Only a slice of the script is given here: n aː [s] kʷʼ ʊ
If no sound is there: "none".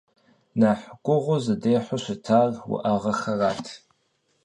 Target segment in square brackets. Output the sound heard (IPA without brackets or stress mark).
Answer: ħ